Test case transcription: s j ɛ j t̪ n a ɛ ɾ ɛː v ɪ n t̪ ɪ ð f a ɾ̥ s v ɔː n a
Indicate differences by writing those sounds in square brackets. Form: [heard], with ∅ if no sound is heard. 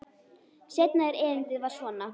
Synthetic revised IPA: s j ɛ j t̪ n a ɛ ɾ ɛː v ɪ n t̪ ɪ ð [v] a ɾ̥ s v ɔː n a